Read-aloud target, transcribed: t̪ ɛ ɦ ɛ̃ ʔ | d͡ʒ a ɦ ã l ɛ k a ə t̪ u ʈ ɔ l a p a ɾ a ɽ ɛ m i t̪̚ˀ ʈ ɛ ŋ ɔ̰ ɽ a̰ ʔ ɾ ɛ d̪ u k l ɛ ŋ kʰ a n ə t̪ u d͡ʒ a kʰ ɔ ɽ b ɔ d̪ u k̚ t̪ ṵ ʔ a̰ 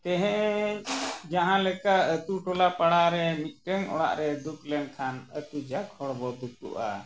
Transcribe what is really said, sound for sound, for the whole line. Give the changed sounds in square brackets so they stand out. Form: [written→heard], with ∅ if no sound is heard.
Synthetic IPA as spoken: t̪ ɛ ɦ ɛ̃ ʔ | d͡ʒ a ɦ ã l ɛ k a ə t̪ u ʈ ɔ l a p a [ɾ→ɽ] a [ɽ→ɾ] ɛ m i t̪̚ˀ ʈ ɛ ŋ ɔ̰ ɽ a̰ ʔ ɾ ɛ d̪ u k l ɛ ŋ kʰ a n ə t̪ u d͡ʒ a kʰ ɔ ɽ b ɔ d̪ u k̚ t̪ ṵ ʔ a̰